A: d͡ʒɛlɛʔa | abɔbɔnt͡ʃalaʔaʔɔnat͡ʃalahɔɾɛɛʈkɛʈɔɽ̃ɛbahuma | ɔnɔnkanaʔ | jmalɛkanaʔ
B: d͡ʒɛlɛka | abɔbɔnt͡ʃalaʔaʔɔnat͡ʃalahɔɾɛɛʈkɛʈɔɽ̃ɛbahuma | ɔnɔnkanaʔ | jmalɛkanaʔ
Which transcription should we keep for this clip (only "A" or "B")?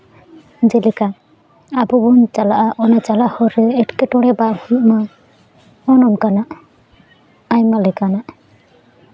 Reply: B